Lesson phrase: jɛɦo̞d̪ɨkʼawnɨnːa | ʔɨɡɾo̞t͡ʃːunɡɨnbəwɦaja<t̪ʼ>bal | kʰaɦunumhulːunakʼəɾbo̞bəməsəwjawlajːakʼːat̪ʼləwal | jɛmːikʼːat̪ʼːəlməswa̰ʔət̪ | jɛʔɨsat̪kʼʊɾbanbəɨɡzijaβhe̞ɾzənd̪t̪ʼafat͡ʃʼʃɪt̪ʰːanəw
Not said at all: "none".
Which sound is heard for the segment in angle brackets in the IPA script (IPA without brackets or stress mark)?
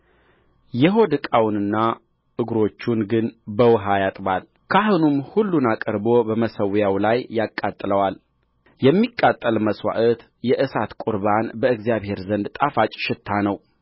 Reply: t̪ʼ